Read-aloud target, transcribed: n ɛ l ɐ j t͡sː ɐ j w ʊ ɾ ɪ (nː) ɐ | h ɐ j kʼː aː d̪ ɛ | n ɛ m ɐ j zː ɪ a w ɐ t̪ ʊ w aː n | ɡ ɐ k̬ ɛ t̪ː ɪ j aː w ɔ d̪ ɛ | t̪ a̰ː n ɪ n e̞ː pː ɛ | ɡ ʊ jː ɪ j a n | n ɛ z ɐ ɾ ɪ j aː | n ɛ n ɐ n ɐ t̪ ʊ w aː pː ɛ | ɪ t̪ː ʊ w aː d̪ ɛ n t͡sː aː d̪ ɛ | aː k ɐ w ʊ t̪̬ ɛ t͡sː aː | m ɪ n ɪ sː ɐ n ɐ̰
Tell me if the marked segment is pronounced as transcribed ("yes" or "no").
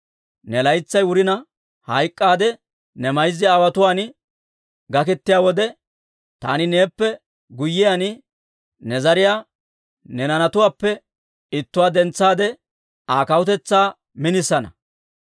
no